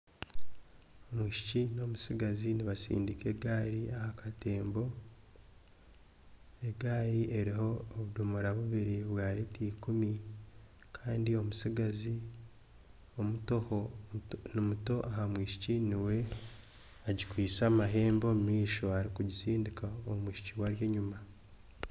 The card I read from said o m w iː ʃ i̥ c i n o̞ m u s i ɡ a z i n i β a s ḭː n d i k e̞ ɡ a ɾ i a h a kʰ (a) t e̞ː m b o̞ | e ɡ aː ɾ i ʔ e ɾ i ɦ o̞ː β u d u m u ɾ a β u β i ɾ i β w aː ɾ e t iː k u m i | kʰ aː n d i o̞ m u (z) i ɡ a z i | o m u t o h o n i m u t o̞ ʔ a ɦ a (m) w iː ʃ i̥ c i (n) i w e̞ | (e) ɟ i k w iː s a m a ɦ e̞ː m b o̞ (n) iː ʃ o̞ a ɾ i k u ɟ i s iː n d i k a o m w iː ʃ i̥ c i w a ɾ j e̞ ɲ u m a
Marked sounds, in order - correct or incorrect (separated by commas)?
correct, incorrect, correct, correct, incorrect, incorrect